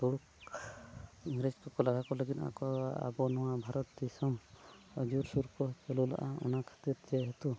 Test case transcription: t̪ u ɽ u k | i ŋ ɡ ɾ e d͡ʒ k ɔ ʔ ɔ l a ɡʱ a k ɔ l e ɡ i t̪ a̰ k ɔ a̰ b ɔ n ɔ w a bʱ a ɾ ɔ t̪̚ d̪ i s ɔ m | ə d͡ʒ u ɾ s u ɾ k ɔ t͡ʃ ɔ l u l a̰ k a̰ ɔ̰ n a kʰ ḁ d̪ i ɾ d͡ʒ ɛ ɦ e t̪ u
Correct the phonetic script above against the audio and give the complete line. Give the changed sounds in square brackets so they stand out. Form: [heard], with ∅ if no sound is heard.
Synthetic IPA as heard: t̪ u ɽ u k | i ŋ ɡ ɾ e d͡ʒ k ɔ [k] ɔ l a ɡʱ a k ɔ l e ɡ i t̪ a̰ k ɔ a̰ b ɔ n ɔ w a bʱ a ɾ ɔ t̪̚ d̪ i s ɔ m | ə d͡ʒ u ɾ s u ɾ k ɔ t͡ʃ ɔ l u l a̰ [ʔ] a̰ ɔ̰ n a kʰ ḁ [t̪] i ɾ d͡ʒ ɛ ɦ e t̪ u